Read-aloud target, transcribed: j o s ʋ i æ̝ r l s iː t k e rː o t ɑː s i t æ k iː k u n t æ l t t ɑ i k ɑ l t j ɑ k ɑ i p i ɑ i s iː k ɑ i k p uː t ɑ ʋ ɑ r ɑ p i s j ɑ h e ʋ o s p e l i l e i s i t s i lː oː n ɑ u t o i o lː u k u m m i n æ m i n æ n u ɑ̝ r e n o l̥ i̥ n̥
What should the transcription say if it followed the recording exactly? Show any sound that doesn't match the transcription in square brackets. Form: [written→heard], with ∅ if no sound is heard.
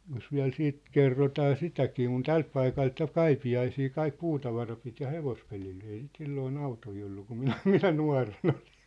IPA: j o s ʋ i æ̝ [r→∅] l s iː t k e rː o t ɑː s i t æ k iː k u n t æ l t [t→p] ɑ i k ɑ l t j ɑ k ɑ i p i ɑ i s iː k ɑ i k p uː t ɑ ʋ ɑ r ɑ p i [s→t] j ɑ h e ʋ o s p e l i l e i s i t s i lː oː n ɑ u t o i o lː u k u m m i n æ m i n æ n u ɑ̝ r e n o l̥ i̥ n̥